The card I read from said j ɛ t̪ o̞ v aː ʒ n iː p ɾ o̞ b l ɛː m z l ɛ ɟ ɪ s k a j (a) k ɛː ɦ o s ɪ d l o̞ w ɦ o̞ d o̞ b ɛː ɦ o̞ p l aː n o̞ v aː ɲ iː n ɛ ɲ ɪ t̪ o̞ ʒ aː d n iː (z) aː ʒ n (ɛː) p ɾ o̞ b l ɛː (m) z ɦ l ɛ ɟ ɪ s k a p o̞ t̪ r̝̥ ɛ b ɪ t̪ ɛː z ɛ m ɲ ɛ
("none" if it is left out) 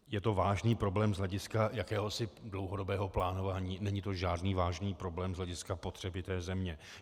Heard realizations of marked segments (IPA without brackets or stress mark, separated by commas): a, v, iː, m